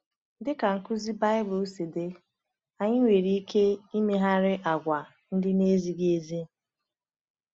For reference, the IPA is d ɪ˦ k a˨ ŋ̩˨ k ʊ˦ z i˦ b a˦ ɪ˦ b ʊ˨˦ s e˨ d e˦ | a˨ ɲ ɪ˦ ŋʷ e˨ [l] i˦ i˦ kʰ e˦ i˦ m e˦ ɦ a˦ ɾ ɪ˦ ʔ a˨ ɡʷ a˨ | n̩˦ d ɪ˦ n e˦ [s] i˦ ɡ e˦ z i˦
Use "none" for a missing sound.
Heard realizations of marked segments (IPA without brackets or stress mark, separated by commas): ɾ, z